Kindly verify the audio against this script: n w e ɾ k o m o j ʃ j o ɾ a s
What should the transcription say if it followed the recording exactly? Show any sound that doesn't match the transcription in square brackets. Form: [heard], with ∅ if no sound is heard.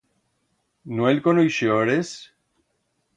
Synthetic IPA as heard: n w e [l] k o [n] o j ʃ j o ɾ [e] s